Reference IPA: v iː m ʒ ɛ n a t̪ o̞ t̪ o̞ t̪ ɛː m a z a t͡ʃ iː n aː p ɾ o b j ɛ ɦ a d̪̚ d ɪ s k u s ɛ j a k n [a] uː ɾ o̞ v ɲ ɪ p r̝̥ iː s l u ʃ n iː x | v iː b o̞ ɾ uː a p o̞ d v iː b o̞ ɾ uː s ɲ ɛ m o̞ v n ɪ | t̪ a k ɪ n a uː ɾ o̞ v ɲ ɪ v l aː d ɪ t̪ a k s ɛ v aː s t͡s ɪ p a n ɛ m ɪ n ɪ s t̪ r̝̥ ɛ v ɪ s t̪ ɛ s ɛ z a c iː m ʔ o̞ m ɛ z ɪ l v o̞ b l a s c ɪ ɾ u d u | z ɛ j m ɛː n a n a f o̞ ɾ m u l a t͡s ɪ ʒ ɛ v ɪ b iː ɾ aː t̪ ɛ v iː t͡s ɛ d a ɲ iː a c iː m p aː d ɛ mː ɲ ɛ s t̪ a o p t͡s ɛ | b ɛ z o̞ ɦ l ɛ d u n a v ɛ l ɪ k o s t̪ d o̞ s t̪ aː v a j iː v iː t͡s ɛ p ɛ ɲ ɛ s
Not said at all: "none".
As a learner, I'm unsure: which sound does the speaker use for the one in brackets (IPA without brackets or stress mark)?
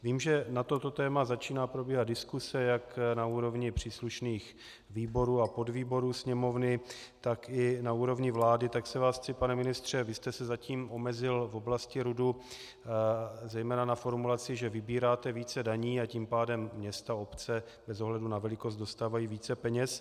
a